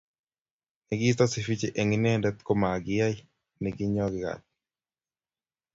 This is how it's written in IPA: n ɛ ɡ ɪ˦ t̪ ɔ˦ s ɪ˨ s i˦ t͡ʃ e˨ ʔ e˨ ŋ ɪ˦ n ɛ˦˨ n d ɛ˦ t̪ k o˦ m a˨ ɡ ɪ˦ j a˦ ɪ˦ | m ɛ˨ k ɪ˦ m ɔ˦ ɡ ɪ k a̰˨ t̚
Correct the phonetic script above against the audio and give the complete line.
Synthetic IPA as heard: n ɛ ɡ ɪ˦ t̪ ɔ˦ s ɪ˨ f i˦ t͡ʃ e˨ ʔ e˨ ŋ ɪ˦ n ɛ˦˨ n d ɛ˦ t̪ k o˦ m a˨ ɡ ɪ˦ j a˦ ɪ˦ | n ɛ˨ ɡ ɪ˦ ɲ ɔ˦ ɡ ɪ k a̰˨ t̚